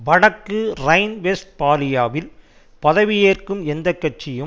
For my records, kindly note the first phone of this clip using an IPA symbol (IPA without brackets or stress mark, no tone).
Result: ʋ